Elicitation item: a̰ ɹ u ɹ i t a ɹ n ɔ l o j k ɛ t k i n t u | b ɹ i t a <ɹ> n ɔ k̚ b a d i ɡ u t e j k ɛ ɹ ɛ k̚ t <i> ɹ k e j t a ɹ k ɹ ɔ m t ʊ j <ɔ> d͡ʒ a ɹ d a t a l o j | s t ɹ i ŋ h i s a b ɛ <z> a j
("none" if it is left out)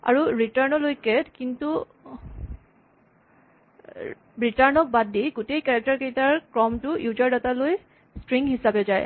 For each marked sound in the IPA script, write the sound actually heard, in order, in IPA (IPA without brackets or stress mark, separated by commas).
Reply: ɹ, a, u, z